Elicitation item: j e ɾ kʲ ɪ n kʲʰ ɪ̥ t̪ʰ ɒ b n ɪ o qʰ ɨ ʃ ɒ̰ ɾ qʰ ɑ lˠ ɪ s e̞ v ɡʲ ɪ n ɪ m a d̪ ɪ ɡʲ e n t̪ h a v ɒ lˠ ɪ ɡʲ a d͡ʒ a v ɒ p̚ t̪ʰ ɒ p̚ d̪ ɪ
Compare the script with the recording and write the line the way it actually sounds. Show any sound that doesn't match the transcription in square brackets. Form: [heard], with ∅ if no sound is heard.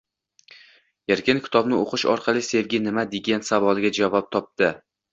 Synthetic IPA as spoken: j e ɾ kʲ ɪ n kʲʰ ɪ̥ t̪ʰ ɒ b n ɪ o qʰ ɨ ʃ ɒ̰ ɾ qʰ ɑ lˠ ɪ s e̞ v ɡʲ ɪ n ɪ m a d̪ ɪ ɡʲ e n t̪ [s] a v ɒ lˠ ɪ ɡʲ a d͡ʒ a v ɒ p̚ t̪ʰ ɒ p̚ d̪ ɪ